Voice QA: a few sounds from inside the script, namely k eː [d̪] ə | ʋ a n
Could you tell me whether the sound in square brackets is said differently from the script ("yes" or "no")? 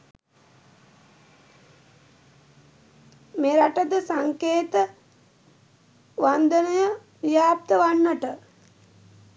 yes